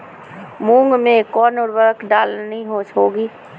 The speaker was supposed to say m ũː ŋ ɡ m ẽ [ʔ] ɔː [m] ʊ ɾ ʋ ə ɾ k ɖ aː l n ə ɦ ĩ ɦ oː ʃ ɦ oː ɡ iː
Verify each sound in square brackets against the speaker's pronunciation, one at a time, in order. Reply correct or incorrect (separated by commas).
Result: incorrect, incorrect